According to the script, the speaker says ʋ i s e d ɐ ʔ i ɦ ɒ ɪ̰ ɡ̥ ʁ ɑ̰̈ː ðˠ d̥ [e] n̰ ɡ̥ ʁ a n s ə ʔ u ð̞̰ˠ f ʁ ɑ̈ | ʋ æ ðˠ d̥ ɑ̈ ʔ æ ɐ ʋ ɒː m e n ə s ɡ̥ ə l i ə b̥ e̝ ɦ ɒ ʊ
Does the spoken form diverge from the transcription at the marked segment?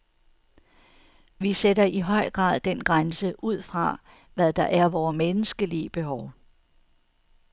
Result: no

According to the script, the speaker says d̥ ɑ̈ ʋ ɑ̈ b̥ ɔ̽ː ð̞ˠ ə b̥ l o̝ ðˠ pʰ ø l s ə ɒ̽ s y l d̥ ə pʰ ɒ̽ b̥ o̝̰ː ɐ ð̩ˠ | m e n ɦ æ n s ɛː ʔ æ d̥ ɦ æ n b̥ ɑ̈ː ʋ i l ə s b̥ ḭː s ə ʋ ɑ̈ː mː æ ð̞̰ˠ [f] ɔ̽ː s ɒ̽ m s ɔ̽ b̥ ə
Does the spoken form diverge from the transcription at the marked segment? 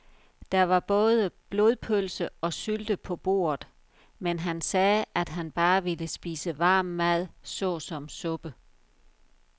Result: yes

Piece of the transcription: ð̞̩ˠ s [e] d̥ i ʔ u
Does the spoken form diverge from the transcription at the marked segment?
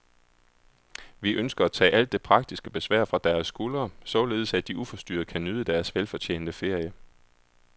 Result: yes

